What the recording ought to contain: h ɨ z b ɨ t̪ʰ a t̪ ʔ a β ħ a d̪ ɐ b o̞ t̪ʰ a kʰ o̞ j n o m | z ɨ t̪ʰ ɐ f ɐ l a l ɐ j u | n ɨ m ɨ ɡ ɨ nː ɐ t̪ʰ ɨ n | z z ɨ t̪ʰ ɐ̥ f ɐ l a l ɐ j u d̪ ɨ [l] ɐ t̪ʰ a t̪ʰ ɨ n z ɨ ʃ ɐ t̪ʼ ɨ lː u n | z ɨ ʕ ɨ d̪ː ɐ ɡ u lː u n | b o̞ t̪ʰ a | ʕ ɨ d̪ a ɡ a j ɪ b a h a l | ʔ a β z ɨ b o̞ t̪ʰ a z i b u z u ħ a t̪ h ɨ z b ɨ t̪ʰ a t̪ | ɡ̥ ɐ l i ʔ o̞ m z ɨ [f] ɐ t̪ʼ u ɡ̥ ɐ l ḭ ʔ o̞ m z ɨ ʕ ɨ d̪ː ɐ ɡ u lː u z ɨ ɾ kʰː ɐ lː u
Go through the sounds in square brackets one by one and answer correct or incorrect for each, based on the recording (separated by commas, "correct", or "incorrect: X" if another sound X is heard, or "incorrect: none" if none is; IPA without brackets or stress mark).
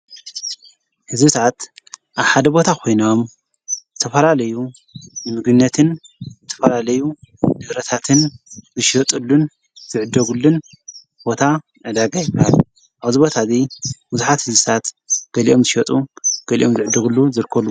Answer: incorrect: ɾ, incorrect: ʃ